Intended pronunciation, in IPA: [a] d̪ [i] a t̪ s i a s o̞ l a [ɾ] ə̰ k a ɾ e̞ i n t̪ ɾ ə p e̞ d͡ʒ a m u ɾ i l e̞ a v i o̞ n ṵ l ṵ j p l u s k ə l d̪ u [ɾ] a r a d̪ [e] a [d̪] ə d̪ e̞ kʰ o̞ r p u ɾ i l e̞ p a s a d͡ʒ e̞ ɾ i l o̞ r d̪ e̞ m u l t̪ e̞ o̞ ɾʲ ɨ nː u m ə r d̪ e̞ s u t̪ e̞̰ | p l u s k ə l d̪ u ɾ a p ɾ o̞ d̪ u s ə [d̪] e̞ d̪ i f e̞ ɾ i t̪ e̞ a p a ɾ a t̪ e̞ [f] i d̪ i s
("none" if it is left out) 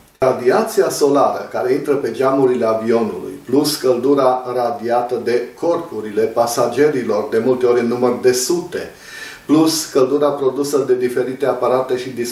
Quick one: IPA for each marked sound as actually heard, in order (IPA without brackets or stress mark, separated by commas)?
a, i, ɾ, ɾ, i, t̪, d̪, ʃ